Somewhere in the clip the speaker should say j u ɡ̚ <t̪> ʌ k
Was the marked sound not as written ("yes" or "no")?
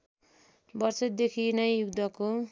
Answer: yes